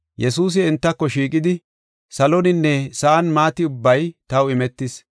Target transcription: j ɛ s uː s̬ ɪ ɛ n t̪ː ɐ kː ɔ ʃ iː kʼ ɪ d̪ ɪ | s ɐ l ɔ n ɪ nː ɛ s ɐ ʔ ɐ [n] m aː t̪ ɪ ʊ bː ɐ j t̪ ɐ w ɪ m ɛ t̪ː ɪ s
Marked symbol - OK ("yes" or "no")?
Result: yes